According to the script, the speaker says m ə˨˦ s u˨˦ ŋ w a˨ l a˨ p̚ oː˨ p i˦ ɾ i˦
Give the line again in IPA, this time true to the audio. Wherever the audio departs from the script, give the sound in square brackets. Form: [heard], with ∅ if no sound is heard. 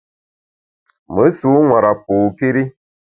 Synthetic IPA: m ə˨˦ s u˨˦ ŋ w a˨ [ɾ] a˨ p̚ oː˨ p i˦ ɾ i˦